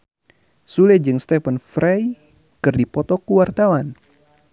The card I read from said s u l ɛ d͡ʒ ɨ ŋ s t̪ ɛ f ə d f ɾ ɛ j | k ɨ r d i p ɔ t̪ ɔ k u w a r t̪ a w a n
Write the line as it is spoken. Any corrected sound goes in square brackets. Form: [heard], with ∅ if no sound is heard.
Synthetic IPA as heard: s u l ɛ d͡ʒ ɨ ŋ s t̪ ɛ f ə [n] f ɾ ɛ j | k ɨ r d i p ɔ t̪ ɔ k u w a r t̪ a w a n